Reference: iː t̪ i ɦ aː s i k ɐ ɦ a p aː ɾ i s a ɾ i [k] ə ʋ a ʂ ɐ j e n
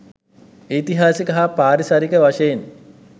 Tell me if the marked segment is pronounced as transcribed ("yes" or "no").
yes